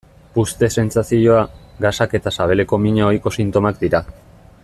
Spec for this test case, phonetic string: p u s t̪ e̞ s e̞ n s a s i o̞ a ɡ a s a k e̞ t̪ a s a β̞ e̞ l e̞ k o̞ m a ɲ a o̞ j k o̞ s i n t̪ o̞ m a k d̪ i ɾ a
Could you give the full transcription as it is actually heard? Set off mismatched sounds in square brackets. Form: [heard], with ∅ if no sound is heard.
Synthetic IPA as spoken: p u s t̪ e̞ s e̞ n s a s i o̞ a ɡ a s a k e̞ t̪ a s a β̞ e̞ l e̞ k o̞ m [i] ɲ a o̞ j k o̞ s i n t̪ o̞ m a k d̪ i ɾ a